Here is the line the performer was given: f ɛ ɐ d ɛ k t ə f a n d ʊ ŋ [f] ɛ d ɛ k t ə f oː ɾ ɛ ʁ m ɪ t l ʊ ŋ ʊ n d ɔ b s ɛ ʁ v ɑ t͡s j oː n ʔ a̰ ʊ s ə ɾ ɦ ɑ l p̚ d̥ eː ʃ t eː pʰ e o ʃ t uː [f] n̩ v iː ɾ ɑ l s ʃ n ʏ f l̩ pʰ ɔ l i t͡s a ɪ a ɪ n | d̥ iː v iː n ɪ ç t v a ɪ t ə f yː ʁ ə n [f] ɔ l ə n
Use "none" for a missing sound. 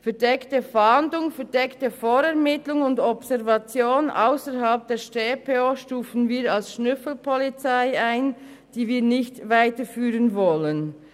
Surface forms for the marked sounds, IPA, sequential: f, f, v

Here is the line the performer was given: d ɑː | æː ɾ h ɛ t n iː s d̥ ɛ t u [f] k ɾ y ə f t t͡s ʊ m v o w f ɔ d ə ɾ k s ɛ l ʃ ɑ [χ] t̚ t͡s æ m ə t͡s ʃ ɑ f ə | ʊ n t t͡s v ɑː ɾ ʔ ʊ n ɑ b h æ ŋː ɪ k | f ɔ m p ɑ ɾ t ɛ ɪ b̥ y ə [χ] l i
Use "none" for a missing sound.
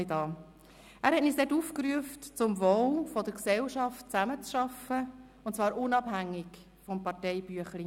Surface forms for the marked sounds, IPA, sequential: f, f, χ

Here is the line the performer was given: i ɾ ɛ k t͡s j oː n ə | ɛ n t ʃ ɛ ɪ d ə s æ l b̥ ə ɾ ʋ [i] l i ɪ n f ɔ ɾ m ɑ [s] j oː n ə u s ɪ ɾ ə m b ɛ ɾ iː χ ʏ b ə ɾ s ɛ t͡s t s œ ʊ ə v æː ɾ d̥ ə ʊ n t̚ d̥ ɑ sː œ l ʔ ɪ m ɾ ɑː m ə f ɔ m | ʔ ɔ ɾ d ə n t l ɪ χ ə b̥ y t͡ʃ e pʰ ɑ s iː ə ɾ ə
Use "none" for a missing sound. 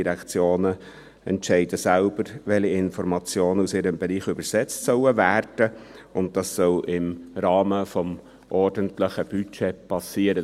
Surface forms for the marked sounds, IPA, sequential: ɛ, t͡s

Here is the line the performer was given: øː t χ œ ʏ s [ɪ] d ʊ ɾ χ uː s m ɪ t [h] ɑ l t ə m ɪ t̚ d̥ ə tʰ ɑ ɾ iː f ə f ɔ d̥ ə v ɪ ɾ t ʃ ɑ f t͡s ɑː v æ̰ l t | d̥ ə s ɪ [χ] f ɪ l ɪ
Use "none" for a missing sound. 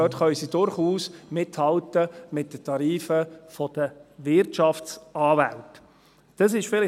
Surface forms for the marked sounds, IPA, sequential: i, h, ʃ

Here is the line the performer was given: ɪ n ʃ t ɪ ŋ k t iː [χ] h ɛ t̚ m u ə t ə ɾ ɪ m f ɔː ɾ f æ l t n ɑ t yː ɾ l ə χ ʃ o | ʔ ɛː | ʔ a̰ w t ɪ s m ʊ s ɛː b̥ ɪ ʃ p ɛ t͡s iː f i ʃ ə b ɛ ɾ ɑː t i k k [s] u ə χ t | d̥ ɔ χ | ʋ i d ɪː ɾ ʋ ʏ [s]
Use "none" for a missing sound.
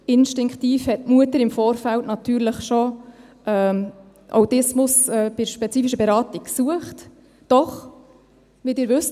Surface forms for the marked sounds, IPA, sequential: f, s, s

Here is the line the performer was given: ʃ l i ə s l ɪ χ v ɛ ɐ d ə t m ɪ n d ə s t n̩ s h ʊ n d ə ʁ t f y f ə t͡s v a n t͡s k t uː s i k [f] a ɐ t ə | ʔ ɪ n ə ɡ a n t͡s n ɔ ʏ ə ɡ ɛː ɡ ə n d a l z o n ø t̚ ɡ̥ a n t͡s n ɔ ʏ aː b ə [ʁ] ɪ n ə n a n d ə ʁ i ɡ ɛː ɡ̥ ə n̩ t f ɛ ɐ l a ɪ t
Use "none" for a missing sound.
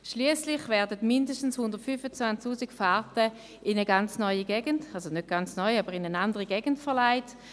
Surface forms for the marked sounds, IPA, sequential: f, ʁ

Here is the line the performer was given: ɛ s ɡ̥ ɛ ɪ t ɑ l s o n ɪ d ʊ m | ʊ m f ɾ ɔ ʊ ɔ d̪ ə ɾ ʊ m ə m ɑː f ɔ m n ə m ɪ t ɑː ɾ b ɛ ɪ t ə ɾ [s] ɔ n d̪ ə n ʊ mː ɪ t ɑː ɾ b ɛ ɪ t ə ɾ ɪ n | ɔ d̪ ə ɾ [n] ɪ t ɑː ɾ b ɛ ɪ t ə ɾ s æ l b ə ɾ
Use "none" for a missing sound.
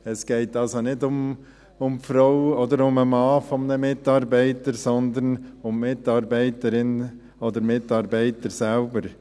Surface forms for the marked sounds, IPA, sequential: s, m

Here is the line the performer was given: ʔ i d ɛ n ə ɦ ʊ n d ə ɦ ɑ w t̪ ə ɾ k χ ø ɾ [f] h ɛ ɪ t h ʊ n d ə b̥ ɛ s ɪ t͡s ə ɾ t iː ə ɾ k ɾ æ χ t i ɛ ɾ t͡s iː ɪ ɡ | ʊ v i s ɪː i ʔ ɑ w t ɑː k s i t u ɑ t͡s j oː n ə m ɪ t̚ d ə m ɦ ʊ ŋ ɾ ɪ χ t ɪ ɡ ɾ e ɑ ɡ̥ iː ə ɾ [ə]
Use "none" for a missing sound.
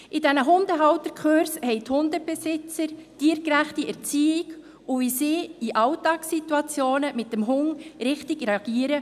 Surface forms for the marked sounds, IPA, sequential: s, ə

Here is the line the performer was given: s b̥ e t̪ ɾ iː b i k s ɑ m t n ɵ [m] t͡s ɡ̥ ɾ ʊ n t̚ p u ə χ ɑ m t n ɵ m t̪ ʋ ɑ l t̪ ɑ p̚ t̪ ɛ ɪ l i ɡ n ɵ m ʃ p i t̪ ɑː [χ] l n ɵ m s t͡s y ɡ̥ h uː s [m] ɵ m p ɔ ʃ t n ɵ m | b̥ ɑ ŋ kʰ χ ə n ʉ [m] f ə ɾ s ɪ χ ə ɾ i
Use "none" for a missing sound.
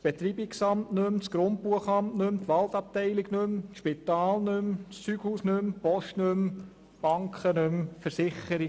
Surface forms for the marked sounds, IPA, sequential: m, none, n, m

